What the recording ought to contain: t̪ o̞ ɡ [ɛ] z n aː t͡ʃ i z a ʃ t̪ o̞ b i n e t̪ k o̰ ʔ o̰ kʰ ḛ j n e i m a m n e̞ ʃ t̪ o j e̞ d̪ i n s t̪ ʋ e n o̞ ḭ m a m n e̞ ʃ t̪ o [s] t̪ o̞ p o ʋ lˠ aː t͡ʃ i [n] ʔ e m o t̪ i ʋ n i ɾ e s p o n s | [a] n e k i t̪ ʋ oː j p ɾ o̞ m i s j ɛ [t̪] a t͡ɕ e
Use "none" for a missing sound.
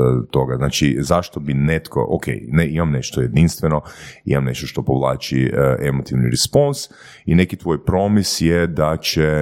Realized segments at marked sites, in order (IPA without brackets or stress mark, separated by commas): a, ʃ, none, i, d̪